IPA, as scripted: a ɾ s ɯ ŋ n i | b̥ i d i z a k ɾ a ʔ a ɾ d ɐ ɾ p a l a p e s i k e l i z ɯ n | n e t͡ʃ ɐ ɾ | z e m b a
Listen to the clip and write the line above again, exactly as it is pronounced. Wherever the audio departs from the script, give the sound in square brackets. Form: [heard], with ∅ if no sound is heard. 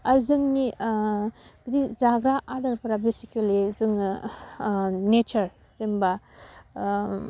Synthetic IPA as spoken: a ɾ [z] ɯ ŋ n i | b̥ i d i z a [ɡ] ɾ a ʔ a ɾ d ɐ ɾ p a [ɾ] a [b] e s i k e l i z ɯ [ŋ] | n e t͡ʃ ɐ ɾ | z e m b a